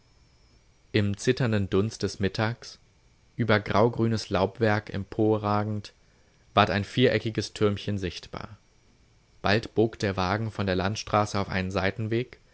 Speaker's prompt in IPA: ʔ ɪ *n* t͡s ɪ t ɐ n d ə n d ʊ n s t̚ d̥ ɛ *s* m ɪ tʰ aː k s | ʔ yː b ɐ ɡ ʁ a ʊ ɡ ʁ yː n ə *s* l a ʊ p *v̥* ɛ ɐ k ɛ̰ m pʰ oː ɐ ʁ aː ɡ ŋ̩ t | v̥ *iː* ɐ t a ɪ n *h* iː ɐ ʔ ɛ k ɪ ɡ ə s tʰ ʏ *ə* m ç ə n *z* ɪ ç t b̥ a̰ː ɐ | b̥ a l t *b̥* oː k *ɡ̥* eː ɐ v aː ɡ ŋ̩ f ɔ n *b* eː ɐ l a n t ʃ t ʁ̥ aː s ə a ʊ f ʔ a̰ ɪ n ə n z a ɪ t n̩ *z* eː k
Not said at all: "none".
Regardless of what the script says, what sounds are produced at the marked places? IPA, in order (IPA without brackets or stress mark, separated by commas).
m, s, s, v̥, aː, f, ɐ, z, b̥, d̥, d, v